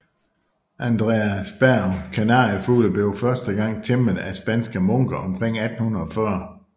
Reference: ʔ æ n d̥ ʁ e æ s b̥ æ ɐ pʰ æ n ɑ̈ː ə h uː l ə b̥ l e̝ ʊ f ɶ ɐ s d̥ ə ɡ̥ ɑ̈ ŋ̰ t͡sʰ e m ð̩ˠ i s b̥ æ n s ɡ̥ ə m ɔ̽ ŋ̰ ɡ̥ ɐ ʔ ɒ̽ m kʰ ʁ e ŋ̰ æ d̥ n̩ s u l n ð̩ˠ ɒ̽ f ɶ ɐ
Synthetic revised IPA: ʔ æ n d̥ ʁ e æ s b̥ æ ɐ kʰ æ n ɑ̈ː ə f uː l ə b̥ l e̝ ʊ f ɶ ɐ s d̥ ə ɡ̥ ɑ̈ ŋ̰ t͡sʰ e m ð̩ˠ æ s b̥ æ n s ɡ̥ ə m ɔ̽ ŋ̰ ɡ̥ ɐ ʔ ɒ̽ m kʰ ʁ e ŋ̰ æ d̥ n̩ h u n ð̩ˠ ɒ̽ f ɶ ɐ